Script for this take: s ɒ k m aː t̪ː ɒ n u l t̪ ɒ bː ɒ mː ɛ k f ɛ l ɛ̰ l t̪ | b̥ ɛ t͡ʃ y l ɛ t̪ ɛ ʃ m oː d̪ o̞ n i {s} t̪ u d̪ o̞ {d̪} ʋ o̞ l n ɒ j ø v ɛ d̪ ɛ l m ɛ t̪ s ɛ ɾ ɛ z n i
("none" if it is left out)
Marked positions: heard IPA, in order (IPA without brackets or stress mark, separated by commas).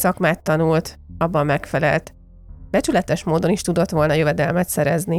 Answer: ʃ, t̪